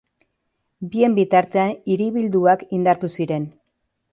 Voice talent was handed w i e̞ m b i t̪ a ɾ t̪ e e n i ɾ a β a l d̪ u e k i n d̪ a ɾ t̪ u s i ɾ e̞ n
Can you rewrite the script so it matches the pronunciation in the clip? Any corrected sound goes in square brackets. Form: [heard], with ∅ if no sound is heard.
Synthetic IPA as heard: [b] i e̞ m b i t̪ a ɾ t̪ e [a] n i ɾ [i] β [i] l d̪ u [a] k i n d̪ a ɾ t̪ u s i ɾ e̞ n